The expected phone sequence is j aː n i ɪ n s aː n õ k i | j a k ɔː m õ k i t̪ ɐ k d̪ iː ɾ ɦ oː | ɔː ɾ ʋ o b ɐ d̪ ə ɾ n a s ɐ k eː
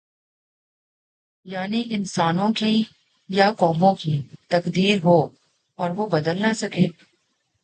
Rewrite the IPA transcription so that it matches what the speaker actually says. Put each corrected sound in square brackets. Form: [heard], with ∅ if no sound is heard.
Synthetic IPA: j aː n i ɪ n s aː n õ k i | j a k ɔː m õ k i t̪ ɐ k d̪ iː ɾ ɦ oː | ɔː ɾ ʋ o b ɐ d̪ ə [l] n a s ɐ k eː